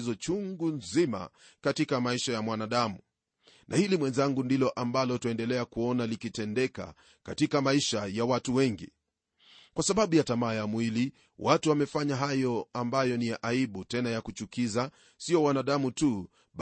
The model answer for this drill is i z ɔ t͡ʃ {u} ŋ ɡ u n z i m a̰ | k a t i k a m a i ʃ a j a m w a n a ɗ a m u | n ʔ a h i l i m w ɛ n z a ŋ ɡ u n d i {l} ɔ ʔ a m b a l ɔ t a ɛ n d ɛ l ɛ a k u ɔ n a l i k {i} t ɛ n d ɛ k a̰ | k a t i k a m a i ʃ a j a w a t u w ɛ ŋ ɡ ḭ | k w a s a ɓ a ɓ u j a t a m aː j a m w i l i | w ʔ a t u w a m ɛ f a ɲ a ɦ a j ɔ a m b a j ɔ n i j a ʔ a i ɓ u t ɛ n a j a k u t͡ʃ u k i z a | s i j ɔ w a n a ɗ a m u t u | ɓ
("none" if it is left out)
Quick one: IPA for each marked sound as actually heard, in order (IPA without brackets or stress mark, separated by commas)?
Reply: u, l, i